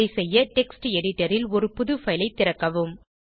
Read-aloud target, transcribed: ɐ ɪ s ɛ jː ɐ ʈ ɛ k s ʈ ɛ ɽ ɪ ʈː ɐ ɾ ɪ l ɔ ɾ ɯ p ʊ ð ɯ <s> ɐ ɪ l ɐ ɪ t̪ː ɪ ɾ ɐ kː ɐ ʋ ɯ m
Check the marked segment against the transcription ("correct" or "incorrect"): incorrect